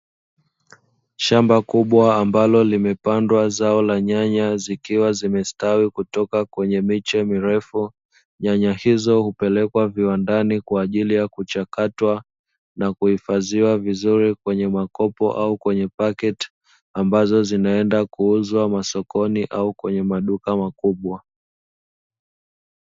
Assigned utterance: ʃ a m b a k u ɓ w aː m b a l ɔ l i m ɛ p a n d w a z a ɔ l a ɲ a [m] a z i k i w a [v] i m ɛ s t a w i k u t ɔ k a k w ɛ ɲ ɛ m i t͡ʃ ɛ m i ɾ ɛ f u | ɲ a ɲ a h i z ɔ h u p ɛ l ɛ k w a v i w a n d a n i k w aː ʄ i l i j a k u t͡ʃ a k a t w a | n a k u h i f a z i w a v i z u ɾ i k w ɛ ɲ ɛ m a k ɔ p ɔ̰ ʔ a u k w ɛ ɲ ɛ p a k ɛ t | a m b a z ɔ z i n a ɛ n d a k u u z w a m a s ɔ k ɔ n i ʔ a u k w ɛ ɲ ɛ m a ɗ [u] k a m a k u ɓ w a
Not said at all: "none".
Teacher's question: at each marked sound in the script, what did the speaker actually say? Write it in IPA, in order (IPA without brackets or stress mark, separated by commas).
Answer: ɲ, z, u